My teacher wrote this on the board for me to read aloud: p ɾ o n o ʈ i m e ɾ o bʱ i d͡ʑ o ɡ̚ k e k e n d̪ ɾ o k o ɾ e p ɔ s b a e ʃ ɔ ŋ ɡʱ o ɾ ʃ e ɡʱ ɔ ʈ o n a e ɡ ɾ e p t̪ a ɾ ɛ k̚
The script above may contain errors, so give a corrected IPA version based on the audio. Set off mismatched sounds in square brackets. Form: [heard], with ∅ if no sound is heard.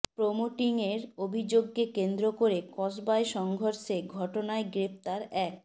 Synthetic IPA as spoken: p ɾ o [m] o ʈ i [ŋ] e ɾ o bʱ i d͡ʑ o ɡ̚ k e k e n d̪ ɾ o k o ɾ e [k] ɔ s b a e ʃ ɔ ŋ ɡʱ o ɾ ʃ e ɡʱ ɔ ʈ o n a e ɡ ɾ e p t̪ a ɾ ɛ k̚